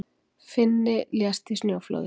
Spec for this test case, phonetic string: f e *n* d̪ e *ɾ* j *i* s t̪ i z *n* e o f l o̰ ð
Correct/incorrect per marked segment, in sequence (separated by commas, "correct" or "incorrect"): correct, incorrect, incorrect, correct